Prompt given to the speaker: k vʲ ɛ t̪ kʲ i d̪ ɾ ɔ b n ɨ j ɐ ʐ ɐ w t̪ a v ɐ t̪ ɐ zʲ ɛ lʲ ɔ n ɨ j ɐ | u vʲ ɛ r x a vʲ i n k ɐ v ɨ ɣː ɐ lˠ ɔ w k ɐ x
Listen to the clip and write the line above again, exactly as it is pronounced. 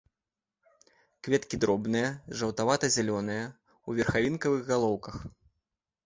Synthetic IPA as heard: k vʲ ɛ t̪ kʲ i d̪ ɾ ɔ b n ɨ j ɐ ʐ ɐ w t̪ a v a t̪ ɐ zʲ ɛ lʲ ɔ n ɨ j ɐ | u vʲ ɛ r x a vʲ i n k ɐ v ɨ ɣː a lˠ ɔ w k ɐ x